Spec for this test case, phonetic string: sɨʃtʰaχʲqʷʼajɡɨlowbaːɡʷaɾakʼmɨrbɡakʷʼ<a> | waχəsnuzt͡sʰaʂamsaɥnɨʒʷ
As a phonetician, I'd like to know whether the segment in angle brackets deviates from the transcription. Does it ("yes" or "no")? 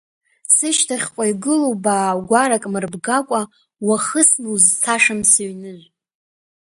no